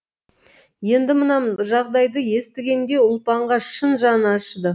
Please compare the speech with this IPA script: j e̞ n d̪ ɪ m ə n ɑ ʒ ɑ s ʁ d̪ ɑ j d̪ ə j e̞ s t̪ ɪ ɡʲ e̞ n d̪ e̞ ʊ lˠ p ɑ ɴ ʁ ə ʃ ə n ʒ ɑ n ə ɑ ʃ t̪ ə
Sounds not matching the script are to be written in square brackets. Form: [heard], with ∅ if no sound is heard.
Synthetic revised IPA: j e̞ n d̪ ɪ m ə n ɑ ʒ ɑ [∅] ʁ d̪ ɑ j d̪ ə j e̞ s t̪ ɪ ɡʲ e̞ n d̪ e̞ ʊ lˠ p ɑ ɴ ʁ [ɑ] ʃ ə n ʒ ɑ n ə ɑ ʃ [d̪] ə